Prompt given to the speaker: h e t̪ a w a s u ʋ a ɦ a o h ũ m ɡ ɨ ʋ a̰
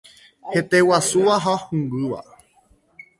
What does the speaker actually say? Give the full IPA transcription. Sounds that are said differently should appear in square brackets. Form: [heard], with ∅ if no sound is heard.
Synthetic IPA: h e t̪ [e] w a s u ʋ a ɦ a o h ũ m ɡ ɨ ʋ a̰